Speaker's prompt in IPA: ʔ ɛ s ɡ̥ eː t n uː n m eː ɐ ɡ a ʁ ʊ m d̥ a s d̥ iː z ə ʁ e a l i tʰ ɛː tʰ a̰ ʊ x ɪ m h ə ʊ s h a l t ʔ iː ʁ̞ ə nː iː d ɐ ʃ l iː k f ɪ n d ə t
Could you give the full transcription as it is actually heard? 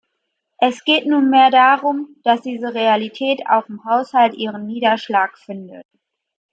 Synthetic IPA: ʔ ɛ s ɡ̥ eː t n uː n m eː ɐ d a ʁ ʊ m d̥ a s d̥ iː z ə ʁ e a l i tʰ ɛː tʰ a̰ ʊ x ɪ m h a ʊ s h a l t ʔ iː ʁ̞ ə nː iː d ɐ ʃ l aː k f ɪ n d ə t